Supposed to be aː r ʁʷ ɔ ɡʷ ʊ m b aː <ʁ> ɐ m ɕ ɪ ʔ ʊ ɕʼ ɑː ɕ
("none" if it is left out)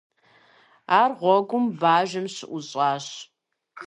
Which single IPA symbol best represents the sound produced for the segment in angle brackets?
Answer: ʒ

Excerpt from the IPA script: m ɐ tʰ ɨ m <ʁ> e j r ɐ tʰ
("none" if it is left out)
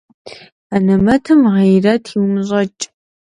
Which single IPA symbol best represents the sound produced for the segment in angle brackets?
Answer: ʁ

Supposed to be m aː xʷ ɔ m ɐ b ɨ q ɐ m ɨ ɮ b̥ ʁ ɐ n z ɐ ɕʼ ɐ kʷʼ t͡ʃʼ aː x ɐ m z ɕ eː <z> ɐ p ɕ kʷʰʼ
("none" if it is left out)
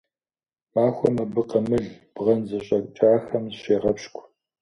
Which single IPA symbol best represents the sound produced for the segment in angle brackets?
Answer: ʁ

